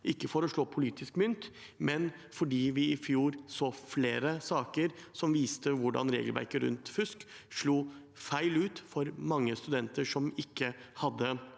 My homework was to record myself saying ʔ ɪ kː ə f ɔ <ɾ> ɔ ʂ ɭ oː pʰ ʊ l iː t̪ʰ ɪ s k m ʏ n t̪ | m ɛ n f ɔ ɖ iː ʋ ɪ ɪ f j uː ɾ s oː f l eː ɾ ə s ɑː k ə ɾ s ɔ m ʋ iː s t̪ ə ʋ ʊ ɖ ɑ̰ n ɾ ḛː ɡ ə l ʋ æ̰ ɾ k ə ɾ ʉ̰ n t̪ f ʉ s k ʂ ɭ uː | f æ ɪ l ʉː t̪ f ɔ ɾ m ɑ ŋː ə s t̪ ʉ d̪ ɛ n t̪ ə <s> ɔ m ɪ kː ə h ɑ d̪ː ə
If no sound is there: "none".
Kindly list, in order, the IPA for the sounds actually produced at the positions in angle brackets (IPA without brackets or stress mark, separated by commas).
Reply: ɾ, ʂ